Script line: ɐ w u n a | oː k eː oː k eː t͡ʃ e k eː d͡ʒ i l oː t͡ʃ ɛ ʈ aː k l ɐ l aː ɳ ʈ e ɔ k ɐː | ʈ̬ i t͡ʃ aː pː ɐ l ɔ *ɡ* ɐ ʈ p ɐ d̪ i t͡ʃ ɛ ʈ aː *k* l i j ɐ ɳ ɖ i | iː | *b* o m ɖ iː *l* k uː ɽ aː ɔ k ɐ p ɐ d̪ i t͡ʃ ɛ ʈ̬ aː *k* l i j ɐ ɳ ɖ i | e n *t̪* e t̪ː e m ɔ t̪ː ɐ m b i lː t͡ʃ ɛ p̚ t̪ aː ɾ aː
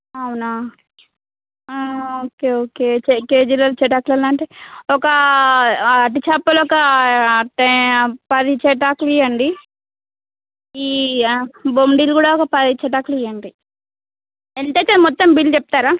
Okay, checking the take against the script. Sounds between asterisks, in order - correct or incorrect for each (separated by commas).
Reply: incorrect, correct, correct, correct, correct, correct